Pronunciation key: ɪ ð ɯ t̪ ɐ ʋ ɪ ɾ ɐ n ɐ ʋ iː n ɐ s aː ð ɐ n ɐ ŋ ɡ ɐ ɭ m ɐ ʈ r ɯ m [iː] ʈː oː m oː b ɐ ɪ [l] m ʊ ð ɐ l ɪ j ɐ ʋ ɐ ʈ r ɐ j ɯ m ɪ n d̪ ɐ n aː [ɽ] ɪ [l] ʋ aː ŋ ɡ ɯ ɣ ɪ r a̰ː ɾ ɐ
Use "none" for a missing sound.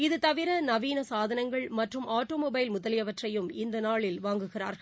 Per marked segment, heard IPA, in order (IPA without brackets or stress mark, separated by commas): aː, l, ɭ, l